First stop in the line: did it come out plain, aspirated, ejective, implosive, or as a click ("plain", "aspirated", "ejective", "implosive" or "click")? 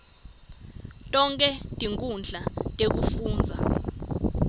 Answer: ejective